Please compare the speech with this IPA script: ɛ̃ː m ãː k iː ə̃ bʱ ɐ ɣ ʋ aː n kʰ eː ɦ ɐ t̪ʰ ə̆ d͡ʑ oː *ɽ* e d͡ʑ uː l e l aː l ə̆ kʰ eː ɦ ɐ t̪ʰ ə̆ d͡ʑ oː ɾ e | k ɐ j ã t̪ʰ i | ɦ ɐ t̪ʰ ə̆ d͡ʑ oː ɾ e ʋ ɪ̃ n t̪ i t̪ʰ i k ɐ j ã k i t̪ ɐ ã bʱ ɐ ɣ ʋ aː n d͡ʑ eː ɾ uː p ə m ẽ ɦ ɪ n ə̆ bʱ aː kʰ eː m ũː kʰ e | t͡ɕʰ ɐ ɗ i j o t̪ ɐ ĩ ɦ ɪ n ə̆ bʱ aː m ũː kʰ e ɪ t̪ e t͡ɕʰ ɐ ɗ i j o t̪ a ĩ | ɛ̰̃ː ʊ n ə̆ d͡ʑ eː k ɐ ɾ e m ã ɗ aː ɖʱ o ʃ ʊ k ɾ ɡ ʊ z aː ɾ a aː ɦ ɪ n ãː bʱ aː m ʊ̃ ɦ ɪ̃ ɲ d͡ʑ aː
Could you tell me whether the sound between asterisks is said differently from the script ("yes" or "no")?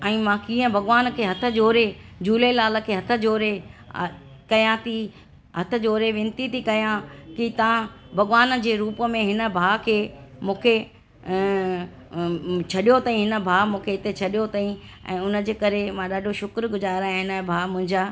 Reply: yes